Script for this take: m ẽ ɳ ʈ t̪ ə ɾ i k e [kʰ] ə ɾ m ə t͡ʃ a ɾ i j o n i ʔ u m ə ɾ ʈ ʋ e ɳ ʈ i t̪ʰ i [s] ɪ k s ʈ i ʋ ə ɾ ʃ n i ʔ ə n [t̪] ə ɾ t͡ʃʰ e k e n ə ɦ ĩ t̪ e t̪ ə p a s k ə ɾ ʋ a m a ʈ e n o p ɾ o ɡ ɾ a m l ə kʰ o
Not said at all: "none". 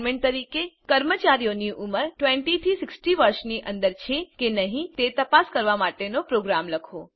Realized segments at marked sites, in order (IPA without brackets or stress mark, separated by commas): k, s, d̪